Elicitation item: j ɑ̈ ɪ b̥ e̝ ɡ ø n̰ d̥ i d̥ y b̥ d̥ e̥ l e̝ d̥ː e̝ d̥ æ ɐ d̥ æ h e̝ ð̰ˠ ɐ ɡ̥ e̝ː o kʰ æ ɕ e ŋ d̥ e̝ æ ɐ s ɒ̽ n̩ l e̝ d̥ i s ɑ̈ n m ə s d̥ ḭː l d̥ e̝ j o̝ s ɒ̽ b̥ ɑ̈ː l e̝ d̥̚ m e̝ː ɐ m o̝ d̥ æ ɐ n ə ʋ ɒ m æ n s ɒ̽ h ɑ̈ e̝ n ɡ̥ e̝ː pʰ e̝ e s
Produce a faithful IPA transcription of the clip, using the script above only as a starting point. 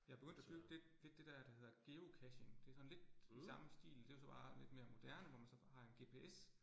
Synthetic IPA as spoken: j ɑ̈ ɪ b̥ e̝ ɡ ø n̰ d̥ æ d̥ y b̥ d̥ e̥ l e̝ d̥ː e̝ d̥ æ ɐ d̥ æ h e̝ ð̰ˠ ɐ ɡ̥ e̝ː o kʰ æ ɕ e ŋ d̥ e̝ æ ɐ s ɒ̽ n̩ l e̝ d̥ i s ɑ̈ m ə s d̥ ḭː l d̥ e̝ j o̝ s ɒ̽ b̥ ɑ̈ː l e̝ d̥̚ m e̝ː ɐ m o̝ d̥ æ ɐ n ə ʋ ɒ m æ n s ɒ̽ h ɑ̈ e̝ n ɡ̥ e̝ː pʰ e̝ e s